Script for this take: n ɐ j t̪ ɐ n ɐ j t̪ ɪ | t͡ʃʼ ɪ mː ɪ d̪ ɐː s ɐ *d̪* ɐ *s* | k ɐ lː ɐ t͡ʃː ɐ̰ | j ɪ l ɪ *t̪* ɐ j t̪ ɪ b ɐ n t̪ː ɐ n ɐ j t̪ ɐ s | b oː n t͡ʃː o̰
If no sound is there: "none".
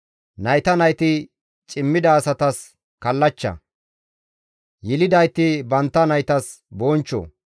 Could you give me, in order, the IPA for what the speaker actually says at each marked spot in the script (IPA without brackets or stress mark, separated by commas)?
t̪, s, d̪